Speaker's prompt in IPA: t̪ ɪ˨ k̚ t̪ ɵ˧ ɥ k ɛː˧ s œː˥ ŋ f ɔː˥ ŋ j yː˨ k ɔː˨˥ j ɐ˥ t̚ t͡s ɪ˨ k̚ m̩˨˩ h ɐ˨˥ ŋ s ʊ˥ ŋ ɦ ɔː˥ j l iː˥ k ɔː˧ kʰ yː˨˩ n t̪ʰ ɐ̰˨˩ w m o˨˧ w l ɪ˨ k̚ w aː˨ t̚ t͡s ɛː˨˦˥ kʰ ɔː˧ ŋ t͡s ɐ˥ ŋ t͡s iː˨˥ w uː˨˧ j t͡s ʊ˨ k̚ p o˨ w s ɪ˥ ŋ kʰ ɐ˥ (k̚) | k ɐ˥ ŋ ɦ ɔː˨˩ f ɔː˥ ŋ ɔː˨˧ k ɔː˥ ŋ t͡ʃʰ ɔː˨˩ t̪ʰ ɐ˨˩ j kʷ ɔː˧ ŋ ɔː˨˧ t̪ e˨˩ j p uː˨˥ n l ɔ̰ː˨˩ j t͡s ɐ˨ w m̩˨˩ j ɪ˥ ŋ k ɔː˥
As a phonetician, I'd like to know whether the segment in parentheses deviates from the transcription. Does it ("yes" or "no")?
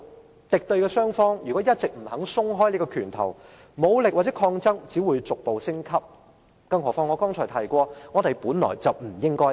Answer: yes